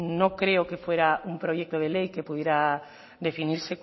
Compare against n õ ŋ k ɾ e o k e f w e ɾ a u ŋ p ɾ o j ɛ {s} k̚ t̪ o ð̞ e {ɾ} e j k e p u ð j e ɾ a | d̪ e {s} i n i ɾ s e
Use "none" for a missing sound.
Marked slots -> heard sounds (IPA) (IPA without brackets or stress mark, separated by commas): none, l, f